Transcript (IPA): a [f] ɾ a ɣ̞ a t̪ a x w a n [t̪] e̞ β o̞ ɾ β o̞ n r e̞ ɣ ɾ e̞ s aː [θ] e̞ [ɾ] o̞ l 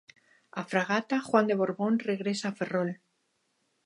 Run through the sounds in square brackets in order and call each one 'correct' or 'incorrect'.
correct, incorrect: d̪, incorrect: f, incorrect: r

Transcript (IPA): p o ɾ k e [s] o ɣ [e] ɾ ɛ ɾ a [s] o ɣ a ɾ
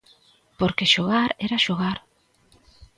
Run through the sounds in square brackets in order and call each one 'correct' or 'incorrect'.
incorrect: ʃ, incorrect: a, incorrect: ʃ

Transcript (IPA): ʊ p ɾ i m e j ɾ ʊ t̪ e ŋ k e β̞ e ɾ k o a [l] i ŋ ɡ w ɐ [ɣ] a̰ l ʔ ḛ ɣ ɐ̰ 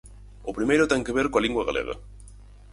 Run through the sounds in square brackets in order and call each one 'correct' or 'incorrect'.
correct, correct

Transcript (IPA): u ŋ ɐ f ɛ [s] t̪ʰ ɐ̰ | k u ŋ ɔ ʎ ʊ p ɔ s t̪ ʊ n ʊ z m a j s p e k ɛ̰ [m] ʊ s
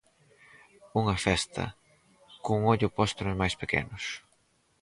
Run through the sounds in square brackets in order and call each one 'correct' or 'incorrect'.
correct, incorrect: n

